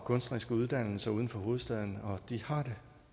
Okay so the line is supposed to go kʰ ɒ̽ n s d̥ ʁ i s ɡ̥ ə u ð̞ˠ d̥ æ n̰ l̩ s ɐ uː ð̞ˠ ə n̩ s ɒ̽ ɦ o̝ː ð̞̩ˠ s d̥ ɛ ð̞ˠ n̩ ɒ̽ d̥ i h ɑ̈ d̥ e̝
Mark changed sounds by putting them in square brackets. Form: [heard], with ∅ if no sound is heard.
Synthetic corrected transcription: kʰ [ɔ̽] n s d̥ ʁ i s ɡ̥ ə u ð̞ˠ d̥ æ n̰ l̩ s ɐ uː ð̞ˠ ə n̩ [f] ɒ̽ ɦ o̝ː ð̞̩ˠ s d̥ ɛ ð̞ˠ n̩ ɒ̽ d̥ i h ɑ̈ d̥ e̝